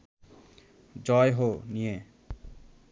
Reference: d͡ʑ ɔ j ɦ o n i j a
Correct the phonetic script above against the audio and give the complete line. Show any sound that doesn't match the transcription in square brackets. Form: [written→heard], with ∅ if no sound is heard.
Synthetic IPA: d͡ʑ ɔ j ɦ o n i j [a→e]